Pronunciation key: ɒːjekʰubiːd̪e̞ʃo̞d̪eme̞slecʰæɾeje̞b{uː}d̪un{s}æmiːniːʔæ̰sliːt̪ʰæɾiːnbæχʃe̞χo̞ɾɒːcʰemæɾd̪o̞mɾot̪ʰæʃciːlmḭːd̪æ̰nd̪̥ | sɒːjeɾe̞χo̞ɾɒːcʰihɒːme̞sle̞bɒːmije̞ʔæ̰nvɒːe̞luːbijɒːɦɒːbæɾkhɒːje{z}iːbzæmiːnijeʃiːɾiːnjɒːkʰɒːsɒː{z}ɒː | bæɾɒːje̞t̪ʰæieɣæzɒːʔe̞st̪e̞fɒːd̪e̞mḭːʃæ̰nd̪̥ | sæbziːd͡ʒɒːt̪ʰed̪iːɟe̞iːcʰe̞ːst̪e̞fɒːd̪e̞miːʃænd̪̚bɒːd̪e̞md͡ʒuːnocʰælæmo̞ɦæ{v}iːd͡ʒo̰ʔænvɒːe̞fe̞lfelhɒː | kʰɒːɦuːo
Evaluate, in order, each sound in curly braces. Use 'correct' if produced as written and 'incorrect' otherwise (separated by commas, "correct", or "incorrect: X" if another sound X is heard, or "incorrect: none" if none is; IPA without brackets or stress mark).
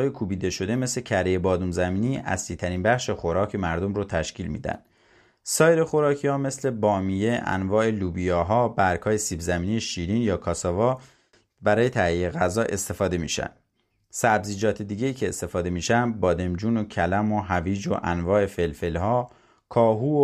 incorrect: ɒː, incorrect: z, incorrect: s, incorrect: v, correct